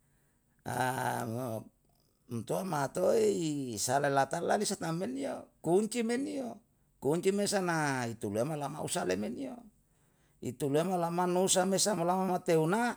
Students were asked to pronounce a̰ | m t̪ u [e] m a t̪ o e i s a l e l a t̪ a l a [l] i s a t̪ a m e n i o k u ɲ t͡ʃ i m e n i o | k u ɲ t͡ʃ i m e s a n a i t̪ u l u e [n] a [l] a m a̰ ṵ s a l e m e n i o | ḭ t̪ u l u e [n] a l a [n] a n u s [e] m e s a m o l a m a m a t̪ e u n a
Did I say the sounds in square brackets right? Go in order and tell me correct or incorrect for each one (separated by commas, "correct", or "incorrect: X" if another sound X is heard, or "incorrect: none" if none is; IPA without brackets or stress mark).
incorrect: a, correct, incorrect: m, correct, incorrect: m, incorrect: m, incorrect: a